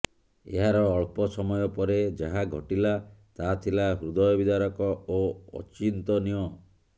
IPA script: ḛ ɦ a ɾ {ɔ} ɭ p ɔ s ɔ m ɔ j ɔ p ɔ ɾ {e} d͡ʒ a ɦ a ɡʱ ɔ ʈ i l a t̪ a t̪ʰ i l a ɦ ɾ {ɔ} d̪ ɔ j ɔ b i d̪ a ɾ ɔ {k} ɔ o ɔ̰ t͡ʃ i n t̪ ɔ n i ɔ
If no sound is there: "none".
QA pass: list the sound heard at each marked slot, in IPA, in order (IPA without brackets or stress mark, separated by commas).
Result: ɔː, e, u, k